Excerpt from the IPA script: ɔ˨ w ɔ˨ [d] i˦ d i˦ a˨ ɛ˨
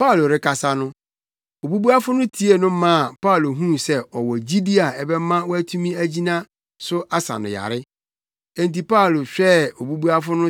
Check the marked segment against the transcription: incorrect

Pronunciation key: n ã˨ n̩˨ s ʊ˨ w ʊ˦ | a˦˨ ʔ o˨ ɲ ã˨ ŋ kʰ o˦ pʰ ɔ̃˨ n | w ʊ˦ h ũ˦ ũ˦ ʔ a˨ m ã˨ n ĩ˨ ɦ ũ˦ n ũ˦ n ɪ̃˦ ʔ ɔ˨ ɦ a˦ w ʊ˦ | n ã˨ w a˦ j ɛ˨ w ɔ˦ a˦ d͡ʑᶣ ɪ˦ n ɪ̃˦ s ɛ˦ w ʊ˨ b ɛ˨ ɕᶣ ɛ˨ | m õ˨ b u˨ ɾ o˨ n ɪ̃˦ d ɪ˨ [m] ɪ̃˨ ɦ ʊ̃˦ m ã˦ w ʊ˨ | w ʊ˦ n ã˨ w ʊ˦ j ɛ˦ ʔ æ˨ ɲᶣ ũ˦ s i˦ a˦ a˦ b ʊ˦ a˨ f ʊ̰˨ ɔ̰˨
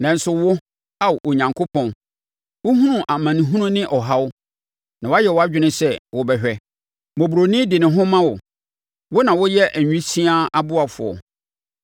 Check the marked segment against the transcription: incorrect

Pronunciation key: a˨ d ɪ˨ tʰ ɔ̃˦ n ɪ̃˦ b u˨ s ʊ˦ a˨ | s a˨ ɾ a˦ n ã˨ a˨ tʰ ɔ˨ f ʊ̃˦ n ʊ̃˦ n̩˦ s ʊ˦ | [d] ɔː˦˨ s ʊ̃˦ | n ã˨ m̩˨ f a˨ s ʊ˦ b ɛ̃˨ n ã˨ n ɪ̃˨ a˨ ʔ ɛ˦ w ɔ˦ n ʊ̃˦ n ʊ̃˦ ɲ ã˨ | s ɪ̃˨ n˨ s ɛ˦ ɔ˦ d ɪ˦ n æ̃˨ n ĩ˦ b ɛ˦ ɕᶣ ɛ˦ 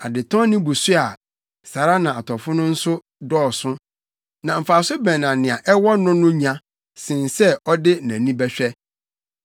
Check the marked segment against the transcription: correct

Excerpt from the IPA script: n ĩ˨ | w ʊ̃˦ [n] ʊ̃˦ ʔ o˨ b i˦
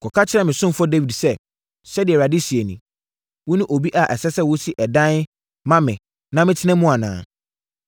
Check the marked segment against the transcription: correct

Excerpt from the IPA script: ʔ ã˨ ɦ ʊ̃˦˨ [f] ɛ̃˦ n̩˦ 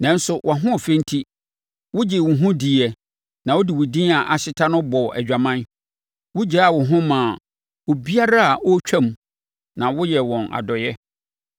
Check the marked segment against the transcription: correct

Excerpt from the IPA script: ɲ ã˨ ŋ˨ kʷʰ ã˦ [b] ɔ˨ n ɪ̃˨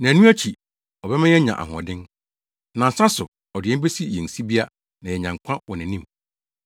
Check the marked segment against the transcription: incorrect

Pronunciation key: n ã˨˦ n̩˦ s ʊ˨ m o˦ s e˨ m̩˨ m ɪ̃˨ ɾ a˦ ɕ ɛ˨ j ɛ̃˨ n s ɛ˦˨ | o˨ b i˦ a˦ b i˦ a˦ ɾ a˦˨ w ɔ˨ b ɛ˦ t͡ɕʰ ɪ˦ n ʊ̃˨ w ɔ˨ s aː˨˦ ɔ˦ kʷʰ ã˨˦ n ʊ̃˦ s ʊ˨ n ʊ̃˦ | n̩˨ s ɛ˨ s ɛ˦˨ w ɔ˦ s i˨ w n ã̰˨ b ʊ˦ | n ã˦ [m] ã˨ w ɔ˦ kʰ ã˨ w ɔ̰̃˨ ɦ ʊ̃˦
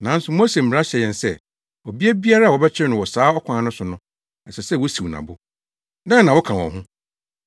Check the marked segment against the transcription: incorrect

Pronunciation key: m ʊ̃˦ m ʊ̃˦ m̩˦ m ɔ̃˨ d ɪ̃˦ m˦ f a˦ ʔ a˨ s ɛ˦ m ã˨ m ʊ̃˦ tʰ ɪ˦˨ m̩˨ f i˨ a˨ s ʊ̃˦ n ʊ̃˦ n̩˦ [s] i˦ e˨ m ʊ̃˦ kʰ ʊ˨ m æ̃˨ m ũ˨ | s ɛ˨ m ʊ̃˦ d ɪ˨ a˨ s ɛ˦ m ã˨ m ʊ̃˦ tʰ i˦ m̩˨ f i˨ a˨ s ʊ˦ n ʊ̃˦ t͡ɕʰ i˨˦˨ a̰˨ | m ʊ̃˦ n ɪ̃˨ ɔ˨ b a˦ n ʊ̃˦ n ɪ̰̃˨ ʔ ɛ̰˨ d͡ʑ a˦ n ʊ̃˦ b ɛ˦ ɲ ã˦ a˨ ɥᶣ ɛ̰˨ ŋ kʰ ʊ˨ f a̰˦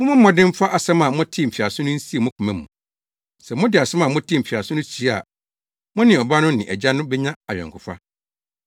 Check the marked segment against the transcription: correct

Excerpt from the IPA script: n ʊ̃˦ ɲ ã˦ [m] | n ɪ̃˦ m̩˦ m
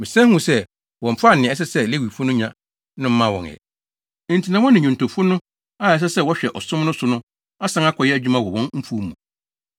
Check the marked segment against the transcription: incorrect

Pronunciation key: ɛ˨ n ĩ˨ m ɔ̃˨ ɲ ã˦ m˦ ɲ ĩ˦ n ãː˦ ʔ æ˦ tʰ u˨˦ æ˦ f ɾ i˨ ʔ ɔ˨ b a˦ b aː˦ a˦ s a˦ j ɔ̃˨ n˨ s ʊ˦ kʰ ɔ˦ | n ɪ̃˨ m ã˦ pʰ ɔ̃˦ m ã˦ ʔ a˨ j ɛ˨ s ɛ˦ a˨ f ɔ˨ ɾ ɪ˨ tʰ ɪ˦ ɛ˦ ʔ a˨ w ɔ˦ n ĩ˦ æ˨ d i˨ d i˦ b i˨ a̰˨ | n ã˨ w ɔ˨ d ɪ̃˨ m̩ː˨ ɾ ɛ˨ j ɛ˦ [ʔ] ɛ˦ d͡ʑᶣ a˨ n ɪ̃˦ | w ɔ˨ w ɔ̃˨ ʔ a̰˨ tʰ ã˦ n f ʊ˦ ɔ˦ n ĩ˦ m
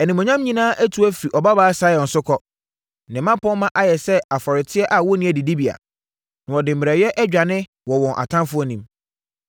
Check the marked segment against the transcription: correct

